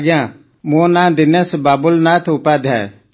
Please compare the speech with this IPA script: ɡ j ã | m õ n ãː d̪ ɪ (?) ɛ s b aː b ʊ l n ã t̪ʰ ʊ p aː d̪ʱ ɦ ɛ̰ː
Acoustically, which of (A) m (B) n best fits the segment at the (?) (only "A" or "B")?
B